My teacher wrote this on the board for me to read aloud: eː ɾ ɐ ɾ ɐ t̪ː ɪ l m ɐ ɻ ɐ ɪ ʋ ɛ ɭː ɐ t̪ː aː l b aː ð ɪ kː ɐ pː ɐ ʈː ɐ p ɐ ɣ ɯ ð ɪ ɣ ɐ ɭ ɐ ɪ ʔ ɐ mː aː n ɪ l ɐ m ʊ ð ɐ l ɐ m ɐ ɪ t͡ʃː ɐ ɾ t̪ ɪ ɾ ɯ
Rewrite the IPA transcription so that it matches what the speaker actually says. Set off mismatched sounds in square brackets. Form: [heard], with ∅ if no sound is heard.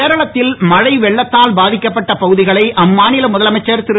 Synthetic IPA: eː ɾ ɐ [ɭ] ɐ t̪ː ɪ l m ɐ ɻ ɐ ɪ ʋ ɛ ɭː ɐ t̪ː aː l b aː ð ɪ kː ɐ pː ɐ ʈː ɐ p ɐ ɣ ɯ ð ɪ ɣ ɐ ɭ ɐ ɪ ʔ ɐ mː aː n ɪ l ɐ m ʊ ð ɐ l ɐ m ɐ ɪ t͡ʃː ɐ ɾ t̪ ɪ ɾ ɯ